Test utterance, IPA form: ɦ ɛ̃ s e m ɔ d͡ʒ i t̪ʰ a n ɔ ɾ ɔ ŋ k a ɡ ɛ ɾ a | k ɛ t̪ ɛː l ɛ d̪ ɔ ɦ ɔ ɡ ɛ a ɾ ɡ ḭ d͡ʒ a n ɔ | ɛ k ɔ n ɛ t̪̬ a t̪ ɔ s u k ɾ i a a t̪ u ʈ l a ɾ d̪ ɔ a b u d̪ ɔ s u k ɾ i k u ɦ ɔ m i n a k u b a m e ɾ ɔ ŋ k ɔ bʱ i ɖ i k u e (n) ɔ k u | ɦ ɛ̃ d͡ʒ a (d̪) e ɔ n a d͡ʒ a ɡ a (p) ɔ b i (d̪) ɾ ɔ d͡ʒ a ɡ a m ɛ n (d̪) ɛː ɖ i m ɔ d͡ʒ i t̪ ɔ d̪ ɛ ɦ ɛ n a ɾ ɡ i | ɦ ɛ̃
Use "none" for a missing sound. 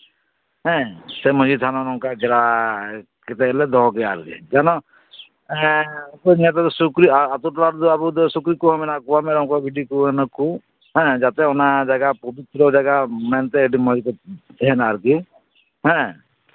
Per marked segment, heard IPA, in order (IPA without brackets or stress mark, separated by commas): n, t̪, p, t̪, t̪